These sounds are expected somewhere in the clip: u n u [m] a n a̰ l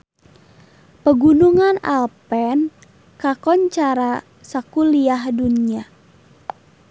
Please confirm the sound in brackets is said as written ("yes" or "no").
no